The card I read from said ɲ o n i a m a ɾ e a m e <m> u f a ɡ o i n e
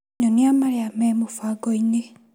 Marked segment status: correct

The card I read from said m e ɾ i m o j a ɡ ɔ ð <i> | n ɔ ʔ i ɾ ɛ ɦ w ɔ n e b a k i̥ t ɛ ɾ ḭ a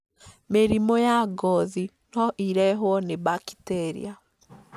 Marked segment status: correct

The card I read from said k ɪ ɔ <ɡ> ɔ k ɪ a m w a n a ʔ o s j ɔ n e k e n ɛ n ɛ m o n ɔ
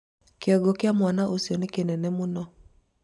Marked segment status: correct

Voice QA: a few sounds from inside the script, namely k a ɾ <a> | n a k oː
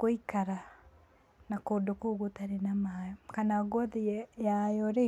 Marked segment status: correct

